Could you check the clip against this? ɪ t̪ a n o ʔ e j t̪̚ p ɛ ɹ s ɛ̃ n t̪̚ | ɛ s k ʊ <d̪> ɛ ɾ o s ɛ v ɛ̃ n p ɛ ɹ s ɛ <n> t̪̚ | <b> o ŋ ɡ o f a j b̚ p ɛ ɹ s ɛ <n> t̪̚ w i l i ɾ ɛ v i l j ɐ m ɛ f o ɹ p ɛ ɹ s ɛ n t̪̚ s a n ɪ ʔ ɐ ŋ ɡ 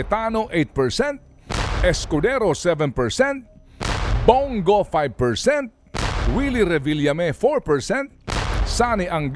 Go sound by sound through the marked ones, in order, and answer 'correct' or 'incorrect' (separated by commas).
correct, correct, correct, correct